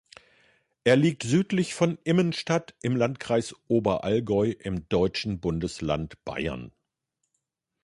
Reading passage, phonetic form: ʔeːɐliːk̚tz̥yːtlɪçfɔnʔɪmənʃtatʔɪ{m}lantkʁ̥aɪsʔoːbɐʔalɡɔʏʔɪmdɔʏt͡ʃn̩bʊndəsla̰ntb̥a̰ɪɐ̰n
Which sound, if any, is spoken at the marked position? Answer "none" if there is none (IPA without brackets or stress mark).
m